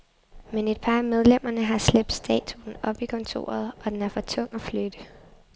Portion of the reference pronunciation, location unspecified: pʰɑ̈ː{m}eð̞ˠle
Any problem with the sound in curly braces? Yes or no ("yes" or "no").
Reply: no